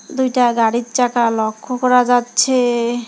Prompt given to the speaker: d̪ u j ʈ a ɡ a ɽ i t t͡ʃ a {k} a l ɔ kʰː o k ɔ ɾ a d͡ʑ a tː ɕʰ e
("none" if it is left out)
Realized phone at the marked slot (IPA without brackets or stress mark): k